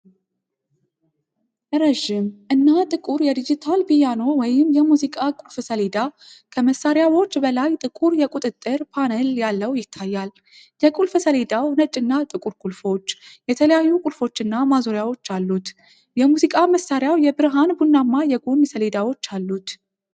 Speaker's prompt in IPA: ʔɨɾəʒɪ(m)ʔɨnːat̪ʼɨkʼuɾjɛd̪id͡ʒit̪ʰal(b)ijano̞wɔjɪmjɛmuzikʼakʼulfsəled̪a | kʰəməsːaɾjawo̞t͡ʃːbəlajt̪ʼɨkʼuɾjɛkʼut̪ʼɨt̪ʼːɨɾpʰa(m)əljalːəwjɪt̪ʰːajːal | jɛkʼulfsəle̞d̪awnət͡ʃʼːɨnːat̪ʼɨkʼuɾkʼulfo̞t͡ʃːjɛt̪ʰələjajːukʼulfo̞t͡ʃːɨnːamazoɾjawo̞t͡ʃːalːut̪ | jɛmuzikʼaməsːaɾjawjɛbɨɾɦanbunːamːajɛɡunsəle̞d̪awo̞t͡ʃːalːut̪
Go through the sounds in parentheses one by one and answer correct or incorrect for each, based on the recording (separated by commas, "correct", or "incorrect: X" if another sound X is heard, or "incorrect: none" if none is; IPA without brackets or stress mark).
correct, correct, incorrect: n